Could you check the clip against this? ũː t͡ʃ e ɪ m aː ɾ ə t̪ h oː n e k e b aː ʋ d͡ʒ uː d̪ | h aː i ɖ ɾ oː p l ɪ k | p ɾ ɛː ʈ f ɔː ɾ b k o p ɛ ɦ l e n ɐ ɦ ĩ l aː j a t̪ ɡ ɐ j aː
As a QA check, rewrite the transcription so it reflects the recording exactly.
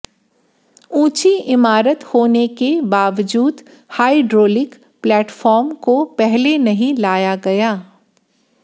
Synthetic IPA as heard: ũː t͡ʃ i ɪ m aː ɾ ə t̪ h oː n e k e b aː ʋ d͡ʒ uː d̪ | h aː i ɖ ɾ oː l ɪ k | p l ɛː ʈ f ɔː ɾ m k o p ɛ ɦ l e n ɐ ɦ ĩ l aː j a ɡ ɐ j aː